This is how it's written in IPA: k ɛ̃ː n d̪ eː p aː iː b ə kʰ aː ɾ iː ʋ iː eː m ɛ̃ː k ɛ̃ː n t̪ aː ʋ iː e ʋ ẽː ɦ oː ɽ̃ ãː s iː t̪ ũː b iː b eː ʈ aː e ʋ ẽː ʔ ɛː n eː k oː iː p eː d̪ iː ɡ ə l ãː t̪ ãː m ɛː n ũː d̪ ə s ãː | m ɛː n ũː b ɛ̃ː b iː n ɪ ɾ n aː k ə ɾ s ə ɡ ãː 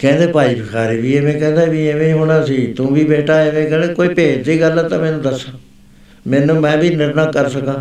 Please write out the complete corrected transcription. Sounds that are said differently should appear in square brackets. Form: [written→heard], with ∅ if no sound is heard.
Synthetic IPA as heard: k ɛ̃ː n d̪ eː p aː iː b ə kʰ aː ɾ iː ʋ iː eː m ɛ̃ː k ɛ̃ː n [t̪→d̪] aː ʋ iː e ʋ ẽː ɦ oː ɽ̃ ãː s iː t̪ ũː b iː b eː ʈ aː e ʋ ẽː [ʔ→k] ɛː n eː k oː iː p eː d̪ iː ɡ ə l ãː t̪ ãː m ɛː n ũː d̪ ə s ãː | m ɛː n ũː [b→m] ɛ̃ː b iː n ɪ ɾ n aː k ə ɾ s ə [ɡ→k] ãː